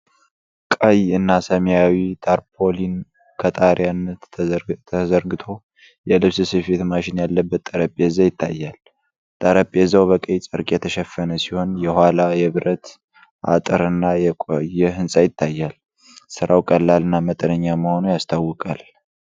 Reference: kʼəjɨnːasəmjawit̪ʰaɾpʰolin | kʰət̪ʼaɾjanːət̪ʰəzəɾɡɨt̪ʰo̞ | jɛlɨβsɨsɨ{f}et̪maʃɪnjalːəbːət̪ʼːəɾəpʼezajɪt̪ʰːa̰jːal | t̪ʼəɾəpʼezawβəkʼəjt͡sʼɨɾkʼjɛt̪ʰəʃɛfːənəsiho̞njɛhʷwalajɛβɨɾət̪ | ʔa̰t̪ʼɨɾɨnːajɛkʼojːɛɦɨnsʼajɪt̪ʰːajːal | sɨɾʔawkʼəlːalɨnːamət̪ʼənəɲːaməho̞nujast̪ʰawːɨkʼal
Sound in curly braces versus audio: correct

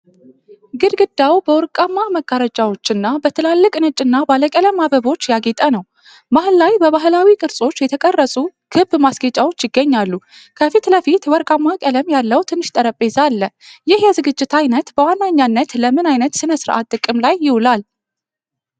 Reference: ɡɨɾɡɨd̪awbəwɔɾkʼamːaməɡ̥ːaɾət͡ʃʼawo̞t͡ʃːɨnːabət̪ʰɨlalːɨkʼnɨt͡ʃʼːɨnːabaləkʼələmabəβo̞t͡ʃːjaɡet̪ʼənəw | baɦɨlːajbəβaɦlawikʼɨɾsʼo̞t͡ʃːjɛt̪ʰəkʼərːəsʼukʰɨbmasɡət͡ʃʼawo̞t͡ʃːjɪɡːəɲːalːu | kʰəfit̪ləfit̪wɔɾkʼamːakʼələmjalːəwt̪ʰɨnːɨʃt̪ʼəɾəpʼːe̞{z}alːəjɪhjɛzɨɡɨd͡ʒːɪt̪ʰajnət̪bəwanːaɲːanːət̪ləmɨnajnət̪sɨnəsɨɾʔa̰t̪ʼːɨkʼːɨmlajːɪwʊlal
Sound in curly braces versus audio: correct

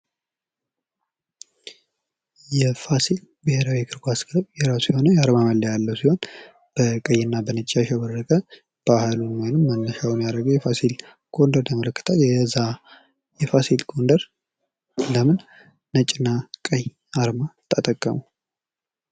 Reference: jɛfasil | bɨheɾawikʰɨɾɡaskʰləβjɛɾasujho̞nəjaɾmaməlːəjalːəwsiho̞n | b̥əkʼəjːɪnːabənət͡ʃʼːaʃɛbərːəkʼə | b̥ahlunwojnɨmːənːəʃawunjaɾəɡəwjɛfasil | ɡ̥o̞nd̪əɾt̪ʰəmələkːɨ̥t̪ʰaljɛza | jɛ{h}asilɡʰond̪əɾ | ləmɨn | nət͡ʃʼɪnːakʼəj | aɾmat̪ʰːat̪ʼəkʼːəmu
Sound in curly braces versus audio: incorrect: f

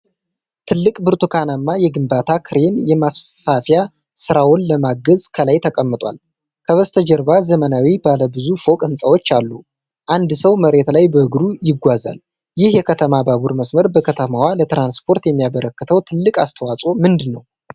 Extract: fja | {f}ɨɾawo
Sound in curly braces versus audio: incorrect: s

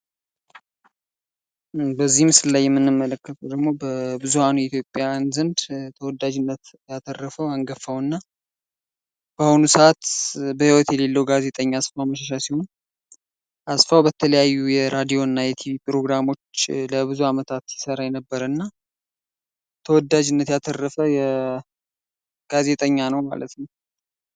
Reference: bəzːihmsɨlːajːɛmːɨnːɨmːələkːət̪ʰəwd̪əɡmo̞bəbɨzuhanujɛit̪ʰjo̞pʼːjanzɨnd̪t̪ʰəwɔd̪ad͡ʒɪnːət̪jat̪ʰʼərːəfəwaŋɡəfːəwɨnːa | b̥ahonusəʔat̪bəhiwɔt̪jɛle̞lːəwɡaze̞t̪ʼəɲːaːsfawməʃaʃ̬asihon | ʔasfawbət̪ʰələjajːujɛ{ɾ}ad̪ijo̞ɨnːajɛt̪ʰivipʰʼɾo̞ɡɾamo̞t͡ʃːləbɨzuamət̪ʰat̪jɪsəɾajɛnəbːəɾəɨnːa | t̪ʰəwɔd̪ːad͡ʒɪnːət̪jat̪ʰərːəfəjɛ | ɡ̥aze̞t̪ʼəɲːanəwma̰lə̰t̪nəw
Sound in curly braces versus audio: correct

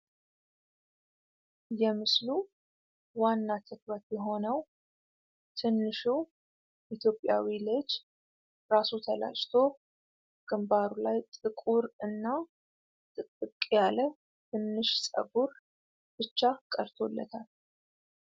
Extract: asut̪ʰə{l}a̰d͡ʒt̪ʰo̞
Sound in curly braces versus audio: correct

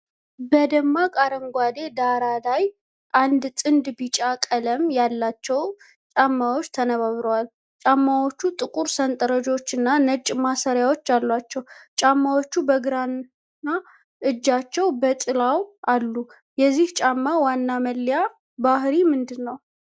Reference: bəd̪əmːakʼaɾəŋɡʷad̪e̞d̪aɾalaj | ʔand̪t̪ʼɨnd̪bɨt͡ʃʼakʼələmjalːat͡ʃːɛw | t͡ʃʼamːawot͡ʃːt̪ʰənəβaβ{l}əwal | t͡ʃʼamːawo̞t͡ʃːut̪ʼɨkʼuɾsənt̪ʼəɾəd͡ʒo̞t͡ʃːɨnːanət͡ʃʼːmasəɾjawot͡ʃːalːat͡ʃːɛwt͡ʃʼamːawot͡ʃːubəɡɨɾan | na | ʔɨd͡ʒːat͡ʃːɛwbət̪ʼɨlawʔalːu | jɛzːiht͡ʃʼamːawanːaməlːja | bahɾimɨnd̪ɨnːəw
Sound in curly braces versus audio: incorrect: ɾ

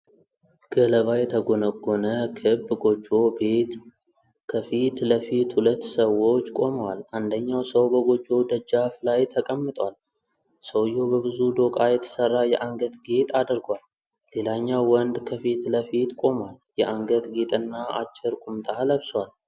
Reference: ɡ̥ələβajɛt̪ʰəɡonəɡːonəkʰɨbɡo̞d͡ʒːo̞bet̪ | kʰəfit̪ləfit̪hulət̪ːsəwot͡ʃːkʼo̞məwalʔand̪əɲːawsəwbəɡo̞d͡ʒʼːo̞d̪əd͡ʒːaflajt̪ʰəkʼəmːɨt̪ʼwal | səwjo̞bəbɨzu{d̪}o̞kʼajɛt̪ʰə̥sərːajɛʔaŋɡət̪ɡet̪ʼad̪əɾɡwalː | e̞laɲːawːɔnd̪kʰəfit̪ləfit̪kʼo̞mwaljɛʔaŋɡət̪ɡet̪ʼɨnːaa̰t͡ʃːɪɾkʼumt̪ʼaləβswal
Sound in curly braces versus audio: correct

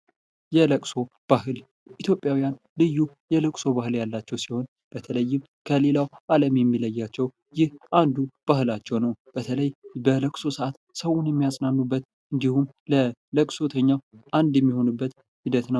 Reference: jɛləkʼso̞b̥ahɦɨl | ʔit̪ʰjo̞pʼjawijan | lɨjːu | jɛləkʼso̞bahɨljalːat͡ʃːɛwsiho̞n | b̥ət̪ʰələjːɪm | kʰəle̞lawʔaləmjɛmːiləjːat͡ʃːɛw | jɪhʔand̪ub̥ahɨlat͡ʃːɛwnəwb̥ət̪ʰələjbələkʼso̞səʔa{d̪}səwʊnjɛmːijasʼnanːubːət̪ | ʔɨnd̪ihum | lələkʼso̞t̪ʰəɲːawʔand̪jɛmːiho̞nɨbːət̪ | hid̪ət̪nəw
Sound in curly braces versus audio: incorrect: t̪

